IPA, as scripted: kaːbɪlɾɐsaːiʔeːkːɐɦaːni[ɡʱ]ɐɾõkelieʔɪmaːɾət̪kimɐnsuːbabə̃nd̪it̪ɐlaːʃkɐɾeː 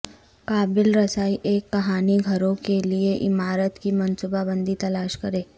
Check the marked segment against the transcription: correct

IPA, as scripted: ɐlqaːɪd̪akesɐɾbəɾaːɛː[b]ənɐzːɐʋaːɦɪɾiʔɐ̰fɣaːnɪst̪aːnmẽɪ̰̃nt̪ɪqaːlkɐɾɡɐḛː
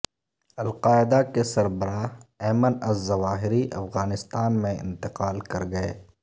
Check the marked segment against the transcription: incorrect: m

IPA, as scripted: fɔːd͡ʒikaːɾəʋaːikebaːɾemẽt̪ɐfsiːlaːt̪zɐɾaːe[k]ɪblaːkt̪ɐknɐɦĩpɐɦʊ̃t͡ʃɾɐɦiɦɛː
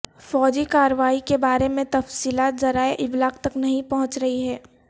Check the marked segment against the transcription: incorrect: ʔ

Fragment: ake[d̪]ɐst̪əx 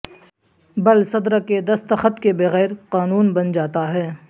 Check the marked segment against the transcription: correct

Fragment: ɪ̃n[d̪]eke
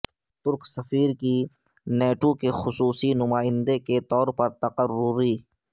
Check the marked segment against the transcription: correct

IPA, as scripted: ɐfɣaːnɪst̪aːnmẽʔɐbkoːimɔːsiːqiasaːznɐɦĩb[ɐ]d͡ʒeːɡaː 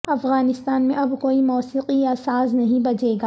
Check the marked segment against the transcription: correct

